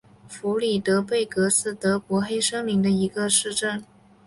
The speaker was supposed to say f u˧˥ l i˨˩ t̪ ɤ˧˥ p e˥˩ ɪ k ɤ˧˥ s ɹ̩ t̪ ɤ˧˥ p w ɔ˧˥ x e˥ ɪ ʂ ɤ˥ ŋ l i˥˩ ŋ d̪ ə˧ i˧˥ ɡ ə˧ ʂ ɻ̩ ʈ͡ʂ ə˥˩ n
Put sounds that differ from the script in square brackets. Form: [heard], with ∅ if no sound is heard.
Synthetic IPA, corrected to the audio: f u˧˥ l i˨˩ t̪ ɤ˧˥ p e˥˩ ɪ k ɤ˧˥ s ɹ̩ t̪ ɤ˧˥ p w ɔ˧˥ x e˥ ɪ ʂ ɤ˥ ŋ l [i˧˥] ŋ d̪ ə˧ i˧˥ ɡ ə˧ ʂ ɻ̩ ʈ͡ʂ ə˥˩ n